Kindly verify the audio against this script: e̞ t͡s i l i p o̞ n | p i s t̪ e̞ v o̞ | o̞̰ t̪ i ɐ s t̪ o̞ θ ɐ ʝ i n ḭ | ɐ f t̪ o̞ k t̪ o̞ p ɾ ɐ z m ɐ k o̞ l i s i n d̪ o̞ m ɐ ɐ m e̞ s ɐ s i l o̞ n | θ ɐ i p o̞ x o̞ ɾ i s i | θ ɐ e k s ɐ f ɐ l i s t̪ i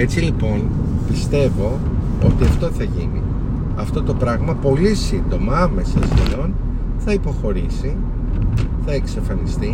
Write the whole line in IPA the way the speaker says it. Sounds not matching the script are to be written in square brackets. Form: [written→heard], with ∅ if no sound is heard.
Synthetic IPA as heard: e̞ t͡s i l i p o̞ n | p i s t̪ e̞ v o̞ | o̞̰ t̪ i ɐ [s→f] t̪ o̞ θ ɐ ʝ i n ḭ | ɐ f t̪ o̞ [k→∅] t̪ o̞ p ɾ ɐ [z→ɣ] m ɐ [k→p] o̞ l i s i n d̪ o̞ m ɐ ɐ m e̞ s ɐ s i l o̞ n | θ ɐ i p o̞ x o̞ ɾ i s i | θ ɐ e k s ɐ f ɐ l i s t̪ i